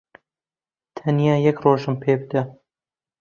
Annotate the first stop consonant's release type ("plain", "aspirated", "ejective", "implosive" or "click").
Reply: aspirated